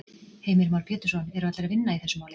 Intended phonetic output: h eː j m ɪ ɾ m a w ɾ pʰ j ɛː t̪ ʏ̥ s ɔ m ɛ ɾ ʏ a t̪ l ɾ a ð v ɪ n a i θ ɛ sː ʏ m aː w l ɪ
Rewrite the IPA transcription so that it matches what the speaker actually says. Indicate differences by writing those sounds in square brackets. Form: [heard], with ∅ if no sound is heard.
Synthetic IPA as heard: h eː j m ɪ ɾ m a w ɾ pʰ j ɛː t̪ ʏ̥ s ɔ [n] ɛ ɾ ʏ a t̪ l ɾ a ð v ɪ [nː] a i θ ɛ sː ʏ m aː w l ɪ